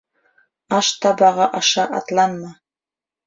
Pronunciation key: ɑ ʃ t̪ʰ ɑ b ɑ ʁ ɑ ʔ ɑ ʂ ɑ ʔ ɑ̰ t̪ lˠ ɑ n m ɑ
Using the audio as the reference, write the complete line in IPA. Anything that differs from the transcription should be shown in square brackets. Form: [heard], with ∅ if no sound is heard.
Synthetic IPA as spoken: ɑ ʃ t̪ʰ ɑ b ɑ ʁ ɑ ʔ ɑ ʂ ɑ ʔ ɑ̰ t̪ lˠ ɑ n m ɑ